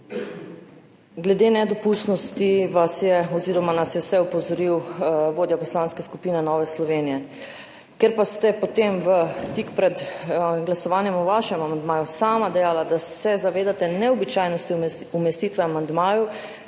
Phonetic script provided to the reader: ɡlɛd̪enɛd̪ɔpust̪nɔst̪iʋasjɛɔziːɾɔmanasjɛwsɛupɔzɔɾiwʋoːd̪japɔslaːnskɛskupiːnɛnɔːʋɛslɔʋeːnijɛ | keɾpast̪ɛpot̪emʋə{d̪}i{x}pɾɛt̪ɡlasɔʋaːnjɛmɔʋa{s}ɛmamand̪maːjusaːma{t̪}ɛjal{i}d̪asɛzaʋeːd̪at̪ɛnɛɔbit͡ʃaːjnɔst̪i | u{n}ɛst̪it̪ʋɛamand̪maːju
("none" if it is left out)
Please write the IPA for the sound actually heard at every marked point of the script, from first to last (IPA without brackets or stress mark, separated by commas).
t̪, k, ʃ, d̪, a, m